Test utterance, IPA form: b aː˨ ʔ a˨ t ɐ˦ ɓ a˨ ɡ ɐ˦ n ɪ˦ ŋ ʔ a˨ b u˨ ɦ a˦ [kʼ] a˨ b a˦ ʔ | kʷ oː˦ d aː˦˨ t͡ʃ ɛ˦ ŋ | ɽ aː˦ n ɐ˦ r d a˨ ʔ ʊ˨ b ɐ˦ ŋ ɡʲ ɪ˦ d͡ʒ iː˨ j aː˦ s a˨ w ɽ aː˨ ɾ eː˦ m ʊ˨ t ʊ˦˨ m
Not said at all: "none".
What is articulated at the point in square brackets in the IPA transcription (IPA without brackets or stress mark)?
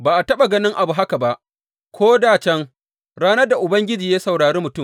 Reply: k